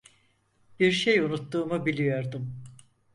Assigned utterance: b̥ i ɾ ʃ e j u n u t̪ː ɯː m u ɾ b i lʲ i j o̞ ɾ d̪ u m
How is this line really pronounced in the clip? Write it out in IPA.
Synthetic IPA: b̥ i ɾ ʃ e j u n u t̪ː uː m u b i lʲ i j o̞ ɾ d̪ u m